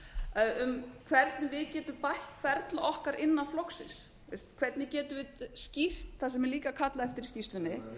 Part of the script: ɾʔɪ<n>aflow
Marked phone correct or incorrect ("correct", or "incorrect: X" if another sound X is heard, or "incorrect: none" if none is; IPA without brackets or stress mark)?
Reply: incorrect: nː